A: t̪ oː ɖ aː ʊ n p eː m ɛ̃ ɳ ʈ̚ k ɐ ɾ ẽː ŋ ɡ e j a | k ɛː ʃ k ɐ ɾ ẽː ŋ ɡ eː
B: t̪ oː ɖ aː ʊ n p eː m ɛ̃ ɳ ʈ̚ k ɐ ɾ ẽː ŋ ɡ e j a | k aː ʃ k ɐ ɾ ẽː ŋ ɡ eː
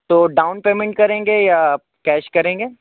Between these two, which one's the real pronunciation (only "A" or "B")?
A